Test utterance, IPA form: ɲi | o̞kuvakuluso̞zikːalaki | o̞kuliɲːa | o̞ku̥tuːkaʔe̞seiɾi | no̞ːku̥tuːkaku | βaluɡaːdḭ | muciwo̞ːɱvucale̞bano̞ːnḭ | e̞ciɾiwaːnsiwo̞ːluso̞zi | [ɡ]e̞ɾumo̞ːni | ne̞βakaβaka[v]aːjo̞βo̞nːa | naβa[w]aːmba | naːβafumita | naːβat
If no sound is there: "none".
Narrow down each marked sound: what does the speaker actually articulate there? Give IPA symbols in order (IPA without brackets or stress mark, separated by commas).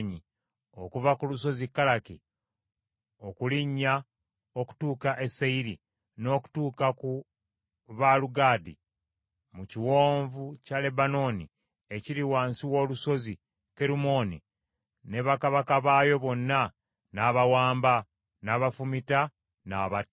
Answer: k, β, w